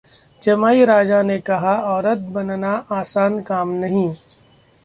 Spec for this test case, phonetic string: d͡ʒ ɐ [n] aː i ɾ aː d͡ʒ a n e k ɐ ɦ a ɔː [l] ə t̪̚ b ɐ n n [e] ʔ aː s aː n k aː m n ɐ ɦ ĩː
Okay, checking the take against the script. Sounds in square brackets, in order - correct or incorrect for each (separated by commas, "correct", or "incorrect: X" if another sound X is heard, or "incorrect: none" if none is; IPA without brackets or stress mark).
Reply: incorrect: m, incorrect: ɾ, incorrect: a